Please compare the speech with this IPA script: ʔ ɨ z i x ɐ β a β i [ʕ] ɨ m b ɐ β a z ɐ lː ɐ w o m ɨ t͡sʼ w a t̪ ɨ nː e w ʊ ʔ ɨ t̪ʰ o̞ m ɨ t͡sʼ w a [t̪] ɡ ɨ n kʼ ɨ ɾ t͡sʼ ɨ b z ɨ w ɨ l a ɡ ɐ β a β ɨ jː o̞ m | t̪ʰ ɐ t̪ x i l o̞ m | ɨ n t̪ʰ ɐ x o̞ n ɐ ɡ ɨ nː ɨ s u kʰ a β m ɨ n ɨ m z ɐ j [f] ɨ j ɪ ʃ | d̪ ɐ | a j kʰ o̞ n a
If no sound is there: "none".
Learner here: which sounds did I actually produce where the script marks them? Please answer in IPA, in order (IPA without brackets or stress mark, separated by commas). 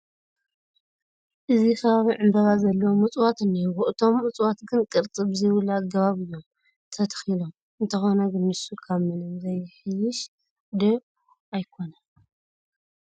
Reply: ʕ, t̪, ħ